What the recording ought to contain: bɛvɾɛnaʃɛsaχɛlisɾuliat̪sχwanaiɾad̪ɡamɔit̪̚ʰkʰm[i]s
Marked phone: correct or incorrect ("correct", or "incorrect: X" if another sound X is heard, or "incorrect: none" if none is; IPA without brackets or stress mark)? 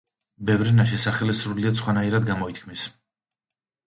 correct